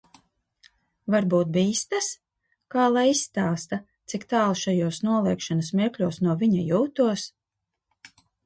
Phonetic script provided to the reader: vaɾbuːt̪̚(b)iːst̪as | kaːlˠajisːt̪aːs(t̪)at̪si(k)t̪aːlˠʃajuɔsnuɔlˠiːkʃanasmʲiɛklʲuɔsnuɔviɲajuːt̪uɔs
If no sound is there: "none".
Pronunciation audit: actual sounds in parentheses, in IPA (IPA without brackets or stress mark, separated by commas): b, t̪, k